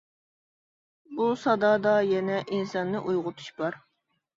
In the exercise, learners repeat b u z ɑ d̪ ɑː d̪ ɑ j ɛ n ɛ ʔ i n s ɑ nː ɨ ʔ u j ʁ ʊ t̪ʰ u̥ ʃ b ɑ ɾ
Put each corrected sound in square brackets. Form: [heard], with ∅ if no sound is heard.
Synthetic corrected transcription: b u [s] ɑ d̪ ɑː d̪ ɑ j ɛ n ɛ ʔ i n s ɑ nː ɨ ʔ u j ʁ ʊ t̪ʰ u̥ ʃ b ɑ ɾ